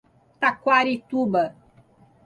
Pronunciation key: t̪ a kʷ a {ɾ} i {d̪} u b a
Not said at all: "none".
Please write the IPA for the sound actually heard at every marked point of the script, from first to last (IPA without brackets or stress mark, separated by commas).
ɾ, t̪